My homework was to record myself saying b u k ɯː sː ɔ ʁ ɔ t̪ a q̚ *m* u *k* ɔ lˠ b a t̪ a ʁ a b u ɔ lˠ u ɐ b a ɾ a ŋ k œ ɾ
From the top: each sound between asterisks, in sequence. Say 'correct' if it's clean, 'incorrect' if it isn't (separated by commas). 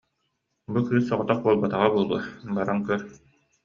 incorrect, incorrect